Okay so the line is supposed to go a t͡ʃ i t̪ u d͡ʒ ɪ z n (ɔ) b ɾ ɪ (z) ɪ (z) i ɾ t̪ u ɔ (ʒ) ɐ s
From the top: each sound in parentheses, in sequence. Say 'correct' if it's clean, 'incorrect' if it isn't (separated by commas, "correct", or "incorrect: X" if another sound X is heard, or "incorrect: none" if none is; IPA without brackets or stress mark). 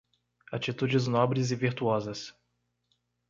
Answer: correct, correct, incorrect: v, incorrect: z